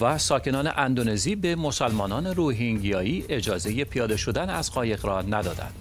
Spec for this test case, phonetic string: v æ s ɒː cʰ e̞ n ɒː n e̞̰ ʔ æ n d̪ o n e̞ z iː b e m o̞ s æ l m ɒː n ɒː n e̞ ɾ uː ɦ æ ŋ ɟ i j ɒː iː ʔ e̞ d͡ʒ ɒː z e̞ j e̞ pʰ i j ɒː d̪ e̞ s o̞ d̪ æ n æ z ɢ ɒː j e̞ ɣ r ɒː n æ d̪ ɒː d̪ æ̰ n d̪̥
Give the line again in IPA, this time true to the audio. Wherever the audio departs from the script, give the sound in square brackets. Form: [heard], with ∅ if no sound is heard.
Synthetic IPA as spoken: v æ s ɒː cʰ e̞ n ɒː n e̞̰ ʔ æ n d̪ o n e̞ z iː b e m o̞ s æ l m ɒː n ɒː n e̞ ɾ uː ɦ [i] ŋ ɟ i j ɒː iː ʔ e̞ d͡ʒ ɒː z e̞ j e̞ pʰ i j ɒː d̪ e̞ [ʃ] o̞ d̪ æ n æ z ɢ ɒː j e̞ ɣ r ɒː n æ d̪ ɒː d̪ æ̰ n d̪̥